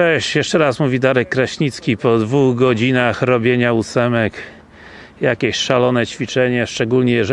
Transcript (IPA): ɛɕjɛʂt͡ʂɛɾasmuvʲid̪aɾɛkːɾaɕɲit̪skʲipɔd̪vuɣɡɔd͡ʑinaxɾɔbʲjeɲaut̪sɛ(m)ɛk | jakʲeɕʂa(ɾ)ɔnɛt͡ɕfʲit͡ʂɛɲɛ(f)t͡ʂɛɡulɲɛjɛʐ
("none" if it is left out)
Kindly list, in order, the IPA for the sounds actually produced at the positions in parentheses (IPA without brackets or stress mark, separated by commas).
m, l, ʂ